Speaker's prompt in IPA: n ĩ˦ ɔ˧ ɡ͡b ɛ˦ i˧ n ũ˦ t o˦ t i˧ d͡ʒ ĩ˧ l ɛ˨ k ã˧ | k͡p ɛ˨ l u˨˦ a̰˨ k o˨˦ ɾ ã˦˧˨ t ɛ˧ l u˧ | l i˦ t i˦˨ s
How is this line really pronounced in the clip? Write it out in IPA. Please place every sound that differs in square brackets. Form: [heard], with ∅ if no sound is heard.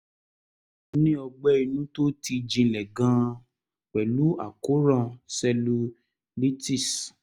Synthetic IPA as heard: n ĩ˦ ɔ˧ ɡ͡b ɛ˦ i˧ n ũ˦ t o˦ t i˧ d͡ʒ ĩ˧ l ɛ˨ [ɡ] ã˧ | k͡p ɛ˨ l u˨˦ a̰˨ k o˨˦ ɾ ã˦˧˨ [s] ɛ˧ l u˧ | l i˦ t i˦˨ s